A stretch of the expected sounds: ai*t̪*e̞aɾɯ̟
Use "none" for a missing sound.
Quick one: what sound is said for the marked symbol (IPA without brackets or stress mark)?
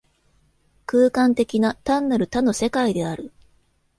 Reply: d̪